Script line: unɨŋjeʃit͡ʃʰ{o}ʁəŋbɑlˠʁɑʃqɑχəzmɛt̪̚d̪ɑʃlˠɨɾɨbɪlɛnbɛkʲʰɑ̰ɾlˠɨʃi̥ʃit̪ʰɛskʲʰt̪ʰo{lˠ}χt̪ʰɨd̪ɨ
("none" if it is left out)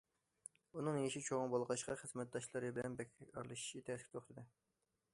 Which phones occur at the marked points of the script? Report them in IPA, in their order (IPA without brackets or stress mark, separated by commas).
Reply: o, none